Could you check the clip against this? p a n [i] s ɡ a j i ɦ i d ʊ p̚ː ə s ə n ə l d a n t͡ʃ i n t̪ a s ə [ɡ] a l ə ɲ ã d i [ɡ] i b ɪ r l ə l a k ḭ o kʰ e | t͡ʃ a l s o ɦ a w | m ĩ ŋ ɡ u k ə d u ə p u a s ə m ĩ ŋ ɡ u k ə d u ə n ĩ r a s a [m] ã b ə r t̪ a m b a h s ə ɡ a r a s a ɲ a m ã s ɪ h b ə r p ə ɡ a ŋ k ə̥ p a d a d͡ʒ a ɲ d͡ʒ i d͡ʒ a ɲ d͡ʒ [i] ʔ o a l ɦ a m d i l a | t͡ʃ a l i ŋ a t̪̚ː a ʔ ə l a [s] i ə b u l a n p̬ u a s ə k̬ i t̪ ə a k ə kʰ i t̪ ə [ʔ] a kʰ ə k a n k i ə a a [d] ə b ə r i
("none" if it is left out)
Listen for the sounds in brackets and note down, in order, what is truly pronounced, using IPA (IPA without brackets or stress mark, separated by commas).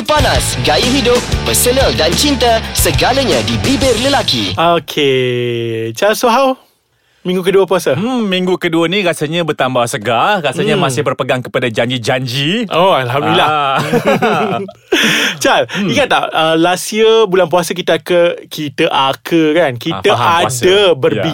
a, ɡ, b, ɲ, i, s, ʔ, d